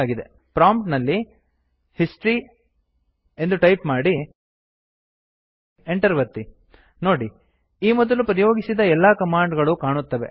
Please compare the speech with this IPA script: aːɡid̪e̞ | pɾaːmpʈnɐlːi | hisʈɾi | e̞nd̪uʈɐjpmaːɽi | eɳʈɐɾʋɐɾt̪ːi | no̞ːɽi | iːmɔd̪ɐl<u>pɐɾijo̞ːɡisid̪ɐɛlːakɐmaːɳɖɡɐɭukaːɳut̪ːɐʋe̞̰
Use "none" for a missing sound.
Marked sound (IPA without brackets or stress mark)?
u